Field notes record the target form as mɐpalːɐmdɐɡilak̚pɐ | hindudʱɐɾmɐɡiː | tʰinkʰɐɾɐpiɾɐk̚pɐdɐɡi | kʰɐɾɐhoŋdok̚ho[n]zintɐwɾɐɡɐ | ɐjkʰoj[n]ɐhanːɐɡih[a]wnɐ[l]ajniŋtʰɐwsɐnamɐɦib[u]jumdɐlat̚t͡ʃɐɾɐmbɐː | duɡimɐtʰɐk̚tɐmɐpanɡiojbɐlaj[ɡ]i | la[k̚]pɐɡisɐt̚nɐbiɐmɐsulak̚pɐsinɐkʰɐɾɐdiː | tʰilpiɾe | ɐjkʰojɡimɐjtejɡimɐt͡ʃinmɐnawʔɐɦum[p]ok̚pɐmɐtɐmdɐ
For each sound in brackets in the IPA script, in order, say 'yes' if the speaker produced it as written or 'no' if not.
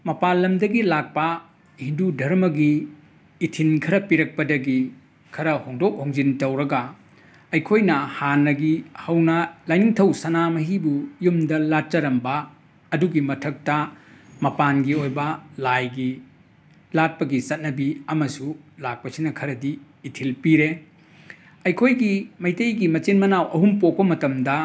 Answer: no, yes, no, yes, yes, yes, no, yes

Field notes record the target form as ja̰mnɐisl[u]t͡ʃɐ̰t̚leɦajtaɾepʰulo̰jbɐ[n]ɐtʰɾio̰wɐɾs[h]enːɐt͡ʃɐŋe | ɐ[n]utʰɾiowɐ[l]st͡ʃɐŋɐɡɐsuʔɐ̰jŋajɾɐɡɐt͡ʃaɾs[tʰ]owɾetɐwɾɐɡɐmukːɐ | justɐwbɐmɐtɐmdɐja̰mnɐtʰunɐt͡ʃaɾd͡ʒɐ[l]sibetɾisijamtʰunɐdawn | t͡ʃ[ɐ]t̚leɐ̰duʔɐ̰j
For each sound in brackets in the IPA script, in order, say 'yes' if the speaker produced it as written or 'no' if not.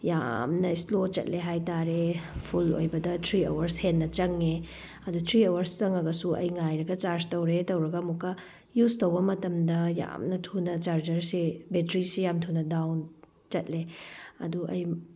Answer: no, no, yes, no, no, no, no, yes

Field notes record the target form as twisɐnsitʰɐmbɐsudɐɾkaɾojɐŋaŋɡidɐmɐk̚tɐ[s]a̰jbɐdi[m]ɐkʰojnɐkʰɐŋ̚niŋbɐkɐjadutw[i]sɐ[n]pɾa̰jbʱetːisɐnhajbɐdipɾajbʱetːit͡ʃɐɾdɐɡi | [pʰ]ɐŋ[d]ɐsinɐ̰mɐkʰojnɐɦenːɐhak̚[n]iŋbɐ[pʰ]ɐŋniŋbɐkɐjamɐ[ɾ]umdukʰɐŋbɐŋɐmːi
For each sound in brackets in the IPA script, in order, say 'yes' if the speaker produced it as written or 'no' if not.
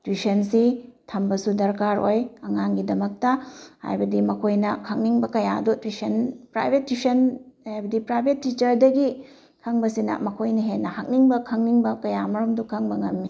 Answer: no, yes, yes, yes, no, no, yes, no, yes

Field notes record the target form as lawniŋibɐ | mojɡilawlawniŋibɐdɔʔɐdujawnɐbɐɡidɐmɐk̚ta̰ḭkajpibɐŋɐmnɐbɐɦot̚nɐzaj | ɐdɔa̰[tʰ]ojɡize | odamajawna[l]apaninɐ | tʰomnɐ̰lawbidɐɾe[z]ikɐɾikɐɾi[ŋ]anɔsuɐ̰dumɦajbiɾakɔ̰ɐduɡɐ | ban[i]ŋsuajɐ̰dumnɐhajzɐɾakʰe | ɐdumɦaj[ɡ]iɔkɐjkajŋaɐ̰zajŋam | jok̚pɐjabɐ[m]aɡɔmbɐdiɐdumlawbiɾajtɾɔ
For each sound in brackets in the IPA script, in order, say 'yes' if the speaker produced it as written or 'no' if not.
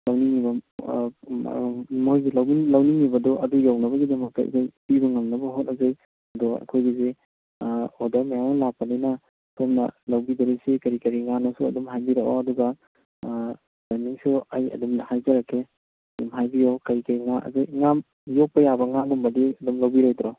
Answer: no, yes, no, yes, yes, no, no

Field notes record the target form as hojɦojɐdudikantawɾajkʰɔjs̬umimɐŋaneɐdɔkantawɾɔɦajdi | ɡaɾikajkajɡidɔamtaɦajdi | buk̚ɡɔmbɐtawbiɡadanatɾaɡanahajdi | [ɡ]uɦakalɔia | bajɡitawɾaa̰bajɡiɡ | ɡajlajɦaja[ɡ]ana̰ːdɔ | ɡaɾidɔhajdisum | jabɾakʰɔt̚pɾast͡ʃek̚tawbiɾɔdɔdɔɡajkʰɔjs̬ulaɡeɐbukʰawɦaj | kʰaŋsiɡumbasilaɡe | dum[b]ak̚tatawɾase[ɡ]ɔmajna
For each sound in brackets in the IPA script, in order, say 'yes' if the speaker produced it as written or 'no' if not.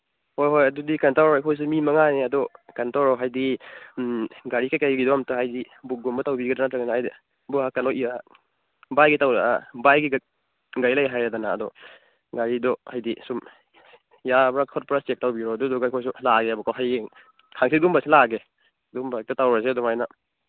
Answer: no, no, yes, no

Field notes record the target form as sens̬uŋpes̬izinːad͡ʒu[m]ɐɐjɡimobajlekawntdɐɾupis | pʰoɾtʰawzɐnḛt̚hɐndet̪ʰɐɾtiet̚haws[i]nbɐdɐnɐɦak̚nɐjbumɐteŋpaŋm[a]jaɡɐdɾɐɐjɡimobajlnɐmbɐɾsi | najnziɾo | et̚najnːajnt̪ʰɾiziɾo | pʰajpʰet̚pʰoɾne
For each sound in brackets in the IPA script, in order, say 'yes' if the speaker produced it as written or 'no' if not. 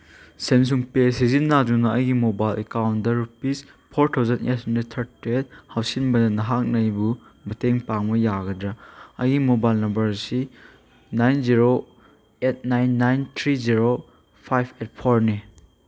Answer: no, yes, no

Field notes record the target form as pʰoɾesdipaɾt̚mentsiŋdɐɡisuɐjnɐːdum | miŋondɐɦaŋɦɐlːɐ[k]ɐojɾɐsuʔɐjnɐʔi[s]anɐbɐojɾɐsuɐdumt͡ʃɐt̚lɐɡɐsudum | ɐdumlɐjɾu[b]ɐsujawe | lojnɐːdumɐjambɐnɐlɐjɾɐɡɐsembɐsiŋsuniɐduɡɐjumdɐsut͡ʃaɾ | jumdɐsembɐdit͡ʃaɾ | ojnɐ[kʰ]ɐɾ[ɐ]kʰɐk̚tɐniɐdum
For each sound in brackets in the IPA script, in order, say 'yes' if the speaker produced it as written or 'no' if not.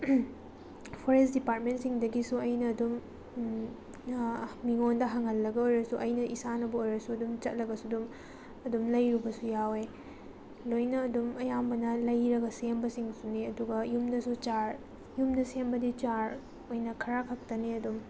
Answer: no, yes, yes, yes, no

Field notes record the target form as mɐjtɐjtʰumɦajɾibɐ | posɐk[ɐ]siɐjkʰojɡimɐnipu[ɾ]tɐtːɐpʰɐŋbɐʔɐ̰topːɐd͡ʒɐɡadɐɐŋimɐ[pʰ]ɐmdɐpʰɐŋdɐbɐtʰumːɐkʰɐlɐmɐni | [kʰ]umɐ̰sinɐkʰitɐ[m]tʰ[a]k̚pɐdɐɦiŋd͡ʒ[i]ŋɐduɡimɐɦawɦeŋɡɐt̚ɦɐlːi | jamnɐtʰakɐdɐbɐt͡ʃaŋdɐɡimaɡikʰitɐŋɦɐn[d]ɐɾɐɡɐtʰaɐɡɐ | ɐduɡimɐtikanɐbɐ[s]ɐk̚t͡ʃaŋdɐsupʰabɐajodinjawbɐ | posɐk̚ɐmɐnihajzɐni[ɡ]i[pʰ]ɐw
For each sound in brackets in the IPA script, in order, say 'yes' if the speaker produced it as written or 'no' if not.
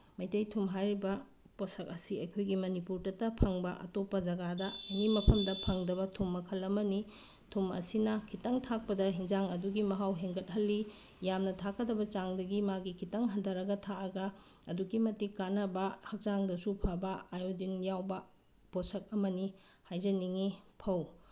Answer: yes, yes, yes, no, no, yes, no, yes, no, no, yes

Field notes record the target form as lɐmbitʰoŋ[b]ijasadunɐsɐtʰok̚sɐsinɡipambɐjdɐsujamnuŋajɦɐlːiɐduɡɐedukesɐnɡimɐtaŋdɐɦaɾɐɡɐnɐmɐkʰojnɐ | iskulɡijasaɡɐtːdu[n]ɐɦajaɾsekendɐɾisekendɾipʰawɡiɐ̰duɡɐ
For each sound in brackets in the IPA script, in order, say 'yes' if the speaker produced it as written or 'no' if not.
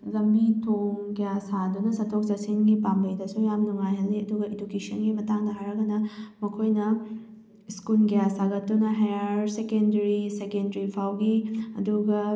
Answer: no, yes

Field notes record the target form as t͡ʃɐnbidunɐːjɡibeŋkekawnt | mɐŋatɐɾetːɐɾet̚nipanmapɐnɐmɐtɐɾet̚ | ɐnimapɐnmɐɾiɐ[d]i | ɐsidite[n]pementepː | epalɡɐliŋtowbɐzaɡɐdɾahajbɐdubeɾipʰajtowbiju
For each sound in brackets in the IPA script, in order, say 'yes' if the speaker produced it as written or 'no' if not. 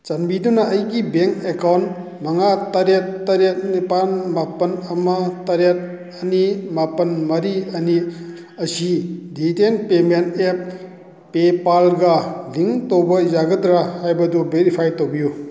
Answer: no, yes

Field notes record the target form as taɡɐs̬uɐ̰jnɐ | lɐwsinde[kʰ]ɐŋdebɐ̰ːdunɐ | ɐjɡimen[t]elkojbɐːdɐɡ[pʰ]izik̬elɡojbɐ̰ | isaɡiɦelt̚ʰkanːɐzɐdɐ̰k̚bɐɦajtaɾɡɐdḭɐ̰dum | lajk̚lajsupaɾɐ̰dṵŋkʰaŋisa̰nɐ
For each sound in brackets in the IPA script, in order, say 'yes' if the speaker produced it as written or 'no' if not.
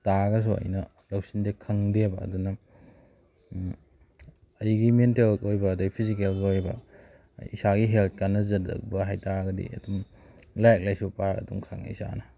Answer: yes, yes, yes

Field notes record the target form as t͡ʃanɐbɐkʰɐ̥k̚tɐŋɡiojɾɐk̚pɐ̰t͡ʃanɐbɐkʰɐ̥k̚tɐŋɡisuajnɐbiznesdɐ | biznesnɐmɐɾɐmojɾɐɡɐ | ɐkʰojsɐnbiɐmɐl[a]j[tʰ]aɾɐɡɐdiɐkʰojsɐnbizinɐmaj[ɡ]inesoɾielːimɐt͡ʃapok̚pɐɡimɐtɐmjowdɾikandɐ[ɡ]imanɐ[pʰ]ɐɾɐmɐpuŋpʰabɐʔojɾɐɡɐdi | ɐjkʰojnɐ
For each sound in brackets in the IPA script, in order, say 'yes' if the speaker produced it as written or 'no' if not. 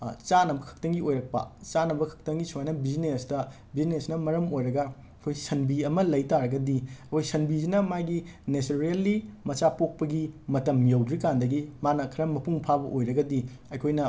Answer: no, no, yes, yes, no

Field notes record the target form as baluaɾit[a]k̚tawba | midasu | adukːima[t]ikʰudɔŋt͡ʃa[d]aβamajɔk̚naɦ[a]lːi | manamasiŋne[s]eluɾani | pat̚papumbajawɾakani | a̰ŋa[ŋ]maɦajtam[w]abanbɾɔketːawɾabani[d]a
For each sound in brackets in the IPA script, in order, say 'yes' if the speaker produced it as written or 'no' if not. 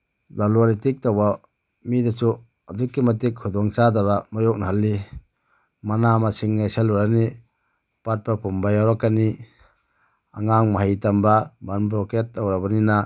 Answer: no, yes, yes, yes, yes, yes, no, no

